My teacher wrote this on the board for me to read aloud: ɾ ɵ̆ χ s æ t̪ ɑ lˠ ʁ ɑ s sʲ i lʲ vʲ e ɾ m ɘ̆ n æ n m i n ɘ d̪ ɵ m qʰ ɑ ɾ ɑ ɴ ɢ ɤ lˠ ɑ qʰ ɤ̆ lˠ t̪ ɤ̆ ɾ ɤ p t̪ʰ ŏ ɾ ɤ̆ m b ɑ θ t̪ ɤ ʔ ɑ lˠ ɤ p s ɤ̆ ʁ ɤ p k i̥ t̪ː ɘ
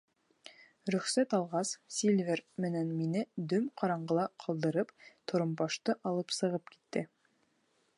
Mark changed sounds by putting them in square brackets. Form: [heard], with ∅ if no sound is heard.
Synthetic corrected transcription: ɾ ɵ̆ χ s æ t̪ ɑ lˠ ʁ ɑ s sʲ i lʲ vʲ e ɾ m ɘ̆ n æ n m i n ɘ d̪ ɵ m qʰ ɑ ɾ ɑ ɴ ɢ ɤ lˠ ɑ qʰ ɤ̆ lˠ [d̪] ɤ̆ ɾ ɤ p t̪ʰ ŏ ɾ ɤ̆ m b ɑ [ʃ] t̪ ɤ ʔ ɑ lˠ ɤ p s ɤ̆ ʁ ɤ p k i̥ t̪ː ɘ